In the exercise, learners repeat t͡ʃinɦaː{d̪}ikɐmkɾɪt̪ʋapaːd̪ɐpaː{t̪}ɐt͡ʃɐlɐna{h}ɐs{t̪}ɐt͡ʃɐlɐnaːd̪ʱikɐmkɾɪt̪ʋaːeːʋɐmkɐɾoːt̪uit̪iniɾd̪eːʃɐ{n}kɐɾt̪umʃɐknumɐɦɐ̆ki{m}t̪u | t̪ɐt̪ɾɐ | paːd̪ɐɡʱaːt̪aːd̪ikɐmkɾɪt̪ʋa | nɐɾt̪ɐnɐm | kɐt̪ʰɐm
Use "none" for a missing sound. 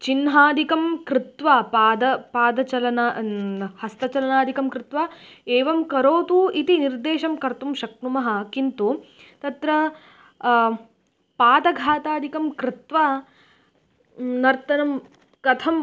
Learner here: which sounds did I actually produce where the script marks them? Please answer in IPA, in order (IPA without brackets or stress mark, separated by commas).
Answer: d̪, d̪, h, t̪, m, n